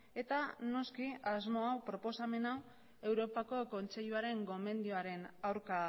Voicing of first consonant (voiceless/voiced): voiceless